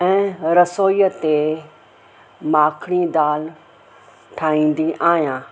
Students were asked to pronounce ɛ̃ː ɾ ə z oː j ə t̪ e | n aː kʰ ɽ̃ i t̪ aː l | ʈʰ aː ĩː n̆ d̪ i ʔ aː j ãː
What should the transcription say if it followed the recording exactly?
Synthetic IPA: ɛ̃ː ɾ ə s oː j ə t̪ e | m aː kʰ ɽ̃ i d̪ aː l | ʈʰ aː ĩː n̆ d̪ i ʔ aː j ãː

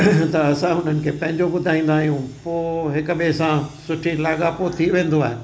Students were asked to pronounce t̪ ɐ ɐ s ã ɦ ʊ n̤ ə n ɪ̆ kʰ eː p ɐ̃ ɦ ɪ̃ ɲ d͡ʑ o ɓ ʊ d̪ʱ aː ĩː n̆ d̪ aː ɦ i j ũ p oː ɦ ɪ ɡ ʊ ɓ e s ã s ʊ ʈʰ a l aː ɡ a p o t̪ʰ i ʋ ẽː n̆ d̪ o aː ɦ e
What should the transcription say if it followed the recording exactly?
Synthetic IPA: t̪ ɐ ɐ s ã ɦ ʊ n̤ ə n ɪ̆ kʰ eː p ɐ̃ ɦ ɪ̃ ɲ d͡ʑ o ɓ ʊ d̪ʱ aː ĩː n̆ d̪ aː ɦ i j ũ p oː ɦ ɪ k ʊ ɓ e s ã s ʊ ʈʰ i l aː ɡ a p o t̪ʰ i ʋ ẽː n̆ d̪ o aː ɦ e

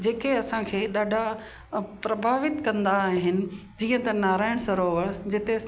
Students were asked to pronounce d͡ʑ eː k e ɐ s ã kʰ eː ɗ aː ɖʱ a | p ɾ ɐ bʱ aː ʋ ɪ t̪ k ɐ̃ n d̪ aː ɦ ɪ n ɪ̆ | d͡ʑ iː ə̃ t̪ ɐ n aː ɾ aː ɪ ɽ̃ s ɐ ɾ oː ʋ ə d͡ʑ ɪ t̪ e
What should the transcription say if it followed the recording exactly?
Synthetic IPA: d͡ʑ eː k e ɐ s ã kʰ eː ɗ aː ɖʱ a | p ɾ ɐ bʱ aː ʋ ɪ t̪ k ɐ̃ n d̪ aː ɦ ɪ n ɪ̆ | d͡ʑ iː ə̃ t̪ ɐ n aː ɾ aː ɪ ɽ̃ s ɐ ɾ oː ʋ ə d͡ʑ ɪ t̪ e

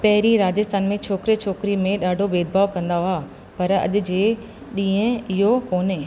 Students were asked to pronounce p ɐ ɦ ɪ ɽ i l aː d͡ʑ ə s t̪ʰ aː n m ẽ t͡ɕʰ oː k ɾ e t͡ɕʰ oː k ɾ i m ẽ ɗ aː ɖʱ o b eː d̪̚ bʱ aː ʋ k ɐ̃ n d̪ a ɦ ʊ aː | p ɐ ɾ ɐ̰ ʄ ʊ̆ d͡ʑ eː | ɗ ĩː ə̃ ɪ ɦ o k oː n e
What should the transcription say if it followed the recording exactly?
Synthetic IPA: p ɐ ɦ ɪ ɾ i ɾ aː d͡ʑ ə s t̪ʰ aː n m ẽ t͡ɕʰ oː k ɾ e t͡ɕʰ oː k ɾ i m ẽ ɗ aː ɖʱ o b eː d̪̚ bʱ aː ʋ k ɐ̃ n d̪ a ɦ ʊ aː | p ɐ ɾ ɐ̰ ʄ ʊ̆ d͡ʑ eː | ɗ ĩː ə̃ ɪ ɦ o k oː n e

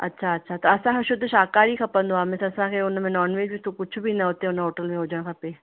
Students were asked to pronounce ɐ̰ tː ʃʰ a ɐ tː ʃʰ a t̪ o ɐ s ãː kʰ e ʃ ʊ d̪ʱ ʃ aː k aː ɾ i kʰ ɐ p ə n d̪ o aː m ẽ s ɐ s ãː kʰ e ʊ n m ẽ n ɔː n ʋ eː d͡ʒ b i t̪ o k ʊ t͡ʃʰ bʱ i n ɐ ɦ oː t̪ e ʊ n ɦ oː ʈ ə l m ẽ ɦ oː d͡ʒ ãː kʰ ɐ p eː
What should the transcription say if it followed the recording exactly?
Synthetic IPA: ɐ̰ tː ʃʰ a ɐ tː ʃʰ a t̪ o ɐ s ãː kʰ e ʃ ʊ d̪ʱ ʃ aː k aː ɾ i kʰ ɐ p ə n d̪ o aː m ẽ s ɐ s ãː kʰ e ʊ n m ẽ n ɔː n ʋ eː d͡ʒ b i t̪ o k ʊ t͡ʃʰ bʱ i n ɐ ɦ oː t̪ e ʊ n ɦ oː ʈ ə l m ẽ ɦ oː d͡ʒ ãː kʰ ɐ p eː

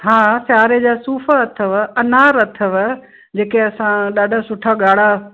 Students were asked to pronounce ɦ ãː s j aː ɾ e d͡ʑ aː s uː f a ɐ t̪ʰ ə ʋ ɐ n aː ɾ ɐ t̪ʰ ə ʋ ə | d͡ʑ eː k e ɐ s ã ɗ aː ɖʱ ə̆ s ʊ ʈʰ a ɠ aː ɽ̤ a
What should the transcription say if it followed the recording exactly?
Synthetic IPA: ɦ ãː s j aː ɾ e d͡ʑ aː s uː f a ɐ t̪ʰ ə ʋ ɐ n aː ɾ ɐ t̪ʰ ə ʋ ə | d͡ʑ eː k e ɐ s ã ɗ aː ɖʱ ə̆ s ʊ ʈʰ a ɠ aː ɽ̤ a

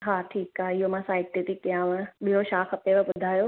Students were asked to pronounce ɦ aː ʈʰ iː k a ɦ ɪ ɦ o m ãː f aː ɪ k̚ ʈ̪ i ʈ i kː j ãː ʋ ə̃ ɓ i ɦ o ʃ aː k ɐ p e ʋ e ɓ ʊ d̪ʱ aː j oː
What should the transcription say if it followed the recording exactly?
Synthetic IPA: ɦ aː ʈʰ iː k a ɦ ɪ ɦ o m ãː s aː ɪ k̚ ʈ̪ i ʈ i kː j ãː ʋ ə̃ ɓ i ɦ o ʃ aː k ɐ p e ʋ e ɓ ʊ d̪ʱ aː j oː

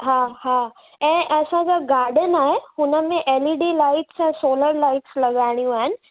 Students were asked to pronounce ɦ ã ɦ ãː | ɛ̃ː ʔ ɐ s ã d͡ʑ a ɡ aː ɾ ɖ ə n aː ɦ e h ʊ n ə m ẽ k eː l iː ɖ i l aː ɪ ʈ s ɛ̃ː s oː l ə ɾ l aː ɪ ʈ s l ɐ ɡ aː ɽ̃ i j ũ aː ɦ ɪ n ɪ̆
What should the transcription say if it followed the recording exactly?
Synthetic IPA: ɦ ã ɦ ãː | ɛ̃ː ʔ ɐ s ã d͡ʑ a ɡ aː ɾ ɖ ə n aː ɦ e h ʊ n ə m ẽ ʔ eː l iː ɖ i l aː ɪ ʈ s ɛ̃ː s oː l ə ɾ l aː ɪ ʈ s l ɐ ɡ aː ɽ̃ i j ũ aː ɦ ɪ n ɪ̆

